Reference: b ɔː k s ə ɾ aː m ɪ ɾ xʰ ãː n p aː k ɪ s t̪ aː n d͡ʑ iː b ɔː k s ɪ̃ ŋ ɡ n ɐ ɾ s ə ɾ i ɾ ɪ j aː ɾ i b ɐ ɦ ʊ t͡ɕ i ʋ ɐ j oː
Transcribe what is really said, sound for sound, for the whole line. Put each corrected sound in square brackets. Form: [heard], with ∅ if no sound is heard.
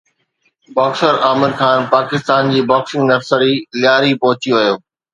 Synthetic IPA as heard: b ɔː k s ə ɾ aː m ɪ ɾ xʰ [aː] n p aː k ɪ s t̪ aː n d͡ʑ iː b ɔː k s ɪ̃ ŋ ɡ n ɐ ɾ s ə ɾ i [l] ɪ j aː ɾ i [p] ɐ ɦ ʊ t͡ɕ i ʋ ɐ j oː